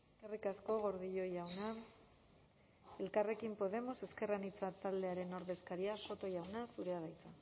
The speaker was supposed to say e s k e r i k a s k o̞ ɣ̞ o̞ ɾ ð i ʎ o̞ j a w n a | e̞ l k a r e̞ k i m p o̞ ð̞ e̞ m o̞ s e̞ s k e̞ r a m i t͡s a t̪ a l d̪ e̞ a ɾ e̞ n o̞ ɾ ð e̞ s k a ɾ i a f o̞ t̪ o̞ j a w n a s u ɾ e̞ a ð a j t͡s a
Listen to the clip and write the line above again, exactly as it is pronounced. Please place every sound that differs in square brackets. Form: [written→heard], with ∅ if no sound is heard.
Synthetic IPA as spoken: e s k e r i k a s k o̞ ɣ̞ o̞ ɾ ð i ʎ o̞ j a w n a | e̞ l k a r e̞ k i m p o̞ ð̞ e̞ m o̞ s e̞ s k e̞ r a [m→n] i t͡s a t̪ a l d̪ e̞ a ɾ e̞ n o̞ ɾ ð e̞ s k a ɾ i a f o̞ t̪ o̞ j a w n a s u ɾ e̞ a ð a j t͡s a